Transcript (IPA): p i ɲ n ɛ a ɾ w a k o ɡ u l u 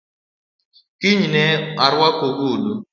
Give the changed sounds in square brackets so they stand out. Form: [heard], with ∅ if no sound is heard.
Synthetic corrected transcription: [k] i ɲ n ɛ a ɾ w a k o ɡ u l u